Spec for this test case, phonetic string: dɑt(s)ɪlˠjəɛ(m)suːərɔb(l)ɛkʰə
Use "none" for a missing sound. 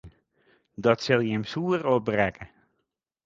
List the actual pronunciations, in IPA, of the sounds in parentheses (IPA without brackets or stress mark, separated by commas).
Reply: s, m, r